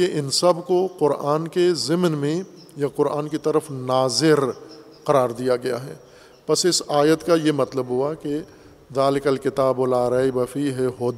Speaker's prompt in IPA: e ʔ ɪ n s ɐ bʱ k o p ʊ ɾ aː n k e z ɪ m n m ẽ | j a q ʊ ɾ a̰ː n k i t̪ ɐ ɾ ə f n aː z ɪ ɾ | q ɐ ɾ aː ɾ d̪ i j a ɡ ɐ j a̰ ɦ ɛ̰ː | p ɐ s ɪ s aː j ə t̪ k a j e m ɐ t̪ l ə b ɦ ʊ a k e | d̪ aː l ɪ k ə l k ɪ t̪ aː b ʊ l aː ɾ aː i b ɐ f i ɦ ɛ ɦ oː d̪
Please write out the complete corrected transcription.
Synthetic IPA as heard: e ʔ ɪ n s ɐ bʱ k o q ʊ ɾ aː n k e z ɪ m n m ẽ | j a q ʊ ɾ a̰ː n k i t̪ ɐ ɾ ə f n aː z ɪ ɾ | q ɐ ɾ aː ɾ d̪ i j a ɡ ɐ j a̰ ɦ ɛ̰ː | p ɐ s ɪ s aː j ə t̪ k a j e m ɐ t̪ l ə b ɦ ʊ a k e | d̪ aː l ɪ k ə l k ɪ t̪ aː b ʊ l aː ɾ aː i b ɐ f i ɦ ɛ ɦ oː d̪